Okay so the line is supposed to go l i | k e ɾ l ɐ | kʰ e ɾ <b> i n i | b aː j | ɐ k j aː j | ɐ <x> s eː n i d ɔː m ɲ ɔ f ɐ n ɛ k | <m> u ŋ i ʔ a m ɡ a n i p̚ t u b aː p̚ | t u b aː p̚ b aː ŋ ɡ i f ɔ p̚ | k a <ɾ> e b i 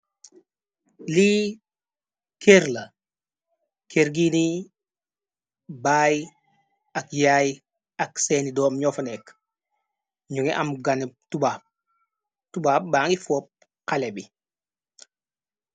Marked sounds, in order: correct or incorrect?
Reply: incorrect, incorrect, incorrect, incorrect

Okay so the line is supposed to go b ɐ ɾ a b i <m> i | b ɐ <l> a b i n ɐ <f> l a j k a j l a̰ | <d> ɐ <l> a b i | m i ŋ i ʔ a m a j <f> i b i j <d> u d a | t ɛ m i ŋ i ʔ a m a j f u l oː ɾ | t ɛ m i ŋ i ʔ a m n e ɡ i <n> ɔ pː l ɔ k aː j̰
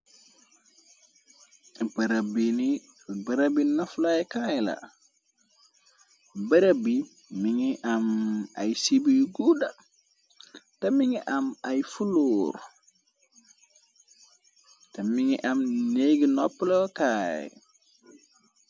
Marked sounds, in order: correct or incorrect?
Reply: incorrect, incorrect, correct, incorrect, incorrect, incorrect, incorrect, correct

